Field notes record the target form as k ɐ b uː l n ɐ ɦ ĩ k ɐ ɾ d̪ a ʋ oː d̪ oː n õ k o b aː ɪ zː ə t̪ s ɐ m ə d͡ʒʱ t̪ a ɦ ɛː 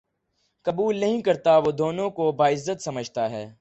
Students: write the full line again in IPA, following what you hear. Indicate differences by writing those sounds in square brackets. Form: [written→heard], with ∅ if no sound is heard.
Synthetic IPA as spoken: k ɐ b uː l n ɐ ɦ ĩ k ɐ ɾ [d̪→t̪] a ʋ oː d̪ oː n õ k o b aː ɪ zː ə t̪ s ɐ m ə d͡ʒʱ t̪ a ɦ ɛː